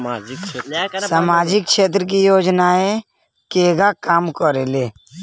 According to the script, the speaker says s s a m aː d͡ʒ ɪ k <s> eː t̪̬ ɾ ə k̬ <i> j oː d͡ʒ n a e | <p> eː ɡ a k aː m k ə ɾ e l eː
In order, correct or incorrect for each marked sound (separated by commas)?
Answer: incorrect, correct, incorrect